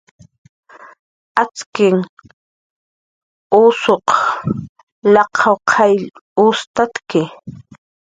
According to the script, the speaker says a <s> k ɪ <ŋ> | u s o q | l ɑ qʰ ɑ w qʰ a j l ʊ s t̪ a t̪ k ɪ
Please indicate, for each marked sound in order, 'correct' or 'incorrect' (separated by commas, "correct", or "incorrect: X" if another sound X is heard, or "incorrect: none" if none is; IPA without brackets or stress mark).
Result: incorrect: t͡s, correct